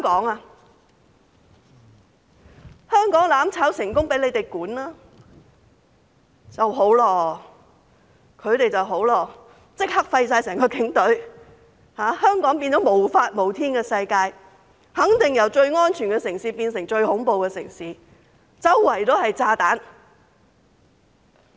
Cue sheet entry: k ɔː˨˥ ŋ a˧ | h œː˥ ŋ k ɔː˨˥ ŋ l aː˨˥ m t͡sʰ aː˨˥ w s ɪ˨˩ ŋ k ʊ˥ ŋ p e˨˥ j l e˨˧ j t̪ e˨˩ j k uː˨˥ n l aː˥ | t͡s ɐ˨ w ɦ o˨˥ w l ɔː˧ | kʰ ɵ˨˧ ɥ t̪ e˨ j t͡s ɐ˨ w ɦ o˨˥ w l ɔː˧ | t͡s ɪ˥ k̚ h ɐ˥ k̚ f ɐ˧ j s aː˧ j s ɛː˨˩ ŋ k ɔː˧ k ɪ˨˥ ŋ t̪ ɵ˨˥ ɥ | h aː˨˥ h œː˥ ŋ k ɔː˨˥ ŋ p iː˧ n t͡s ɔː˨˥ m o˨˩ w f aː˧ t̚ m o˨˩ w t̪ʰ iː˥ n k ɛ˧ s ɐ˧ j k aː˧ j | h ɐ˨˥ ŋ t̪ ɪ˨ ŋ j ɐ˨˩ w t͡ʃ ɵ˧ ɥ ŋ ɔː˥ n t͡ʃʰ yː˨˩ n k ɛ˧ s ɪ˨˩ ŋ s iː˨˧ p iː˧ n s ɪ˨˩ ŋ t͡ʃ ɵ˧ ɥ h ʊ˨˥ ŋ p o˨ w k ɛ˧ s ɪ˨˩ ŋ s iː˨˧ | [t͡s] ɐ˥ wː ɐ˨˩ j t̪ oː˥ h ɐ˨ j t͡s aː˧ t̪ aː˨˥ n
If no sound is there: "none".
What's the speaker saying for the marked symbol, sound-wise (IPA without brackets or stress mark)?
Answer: t͡s